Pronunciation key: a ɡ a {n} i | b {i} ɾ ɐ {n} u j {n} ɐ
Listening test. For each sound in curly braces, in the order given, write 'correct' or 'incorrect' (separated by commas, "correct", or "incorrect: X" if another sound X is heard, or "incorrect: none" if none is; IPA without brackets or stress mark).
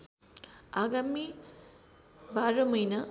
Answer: incorrect: m, incorrect: a, incorrect: m, correct